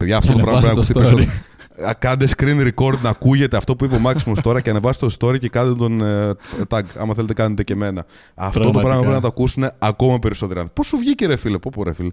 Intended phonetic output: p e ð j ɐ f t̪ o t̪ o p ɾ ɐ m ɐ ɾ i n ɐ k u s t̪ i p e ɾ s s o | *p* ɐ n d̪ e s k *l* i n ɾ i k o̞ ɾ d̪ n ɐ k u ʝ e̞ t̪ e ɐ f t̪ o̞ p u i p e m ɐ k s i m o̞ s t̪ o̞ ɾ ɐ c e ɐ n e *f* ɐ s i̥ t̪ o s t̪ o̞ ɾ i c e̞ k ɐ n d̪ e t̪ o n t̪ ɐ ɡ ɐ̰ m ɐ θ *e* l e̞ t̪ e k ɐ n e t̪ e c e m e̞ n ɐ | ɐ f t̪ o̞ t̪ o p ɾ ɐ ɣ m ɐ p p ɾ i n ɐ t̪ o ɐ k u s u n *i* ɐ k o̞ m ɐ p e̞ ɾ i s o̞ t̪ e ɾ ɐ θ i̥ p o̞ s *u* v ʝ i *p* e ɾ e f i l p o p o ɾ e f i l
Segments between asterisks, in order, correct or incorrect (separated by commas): incorrect, incorrect, incorrect, correct, incorrect, correct, incorrect